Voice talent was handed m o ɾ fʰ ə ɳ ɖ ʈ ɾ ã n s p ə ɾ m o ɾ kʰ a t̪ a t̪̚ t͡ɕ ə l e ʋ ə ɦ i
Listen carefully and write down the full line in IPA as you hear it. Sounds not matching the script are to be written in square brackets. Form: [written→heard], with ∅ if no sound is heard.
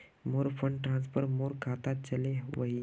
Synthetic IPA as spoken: m o ɾ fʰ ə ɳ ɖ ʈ ɾ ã n s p ə ɾ m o ɾ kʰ a t̪ a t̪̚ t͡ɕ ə l e ʋ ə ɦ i